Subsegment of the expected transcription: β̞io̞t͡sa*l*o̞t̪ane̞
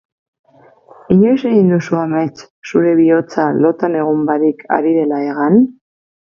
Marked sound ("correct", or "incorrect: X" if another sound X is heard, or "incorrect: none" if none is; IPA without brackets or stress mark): correct